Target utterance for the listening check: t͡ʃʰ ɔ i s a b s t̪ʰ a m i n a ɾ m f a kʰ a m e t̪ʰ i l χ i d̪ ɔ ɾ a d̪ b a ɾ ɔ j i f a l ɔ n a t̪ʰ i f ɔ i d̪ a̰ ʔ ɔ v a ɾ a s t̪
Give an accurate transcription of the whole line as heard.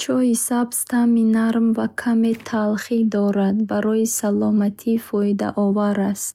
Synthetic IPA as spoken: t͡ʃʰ ɔ i s a b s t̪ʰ a m i n a ɾ m v a kʰ a m e t̪ʰ a l χ i d̪ ɔ ɾ a d̪ b a ɾ ɔ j i s a l ɔ m a t̪ʰ i f ɔ i d̪ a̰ ʔ ɔ v a ɾ a s t̪